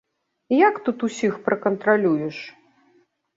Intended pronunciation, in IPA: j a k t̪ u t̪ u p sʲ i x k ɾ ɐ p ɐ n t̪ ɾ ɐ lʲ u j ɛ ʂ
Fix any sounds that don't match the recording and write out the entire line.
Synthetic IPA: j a k t̪ u t̪ u sʲ i x p ɾ ɐ k ɐ n t̪ ɾ a lʲ u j ɛ ʂ

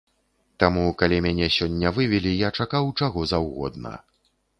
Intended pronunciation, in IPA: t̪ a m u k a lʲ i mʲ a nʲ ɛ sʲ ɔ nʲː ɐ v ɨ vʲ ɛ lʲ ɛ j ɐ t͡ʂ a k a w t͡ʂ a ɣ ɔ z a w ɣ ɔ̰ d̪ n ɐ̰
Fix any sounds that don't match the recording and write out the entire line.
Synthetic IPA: t̪ a m u k a lʲ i mʲ a nʲ ɛ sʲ ɔ nʲː ɐ v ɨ vʲ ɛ lʲ i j a t͡ʂ a k a w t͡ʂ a ɣ ɔ z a w ɣ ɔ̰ d̪ n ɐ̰

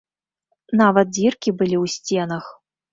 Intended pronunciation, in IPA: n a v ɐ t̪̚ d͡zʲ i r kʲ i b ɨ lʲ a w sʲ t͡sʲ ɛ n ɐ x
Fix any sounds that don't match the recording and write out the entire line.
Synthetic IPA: n a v ɐ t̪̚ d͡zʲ i r kʲ i b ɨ lʲ i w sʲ t͡sʲ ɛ n ɐ x

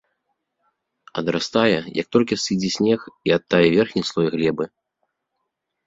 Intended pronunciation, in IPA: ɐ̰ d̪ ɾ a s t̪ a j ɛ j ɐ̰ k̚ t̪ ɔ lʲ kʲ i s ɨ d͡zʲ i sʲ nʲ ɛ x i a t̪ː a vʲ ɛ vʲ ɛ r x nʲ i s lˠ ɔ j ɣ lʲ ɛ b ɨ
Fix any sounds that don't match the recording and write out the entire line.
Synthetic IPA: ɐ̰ d̪ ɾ a s t̪ a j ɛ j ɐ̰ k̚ t̪ ɔ lʲ kʲ i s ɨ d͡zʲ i sʲ nʲ ɛ x i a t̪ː a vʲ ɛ vʲ ɛ r x nʲ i s lˠ ɔ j ɣ lʲ ɛ b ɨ

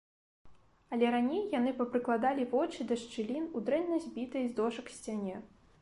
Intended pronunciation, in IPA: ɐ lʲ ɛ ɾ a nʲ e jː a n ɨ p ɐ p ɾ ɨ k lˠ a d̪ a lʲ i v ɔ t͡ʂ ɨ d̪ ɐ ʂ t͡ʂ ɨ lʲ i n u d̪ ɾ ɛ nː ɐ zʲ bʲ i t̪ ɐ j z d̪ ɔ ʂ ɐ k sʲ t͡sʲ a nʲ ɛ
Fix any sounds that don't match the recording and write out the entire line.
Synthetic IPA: ɐ lʲ ɛ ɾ a nʲ e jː a n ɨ p ɐ p ɾ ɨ k lˠ a d̪ a lʲ i v ɔ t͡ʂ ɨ d̪ ɐ ʂ t͡ʂ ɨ lʲ i n u d̪ ɾ ɛ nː ɐ zʲ bʲ i t̪ ɐ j z d̪ ɔ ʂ ɐ k sʲ t͡sʲ a nʲ ɛ

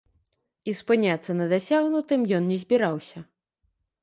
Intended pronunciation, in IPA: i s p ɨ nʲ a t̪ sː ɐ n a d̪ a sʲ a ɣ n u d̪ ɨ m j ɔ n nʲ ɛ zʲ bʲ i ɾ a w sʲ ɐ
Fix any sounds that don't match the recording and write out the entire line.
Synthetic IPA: i s p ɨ nʲ a t̪ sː ɐ n ɐ d̪ a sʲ a ɣ n u t̪ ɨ m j ɔ n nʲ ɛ zʲ bʲ i ɾ a w sʲ ɐ

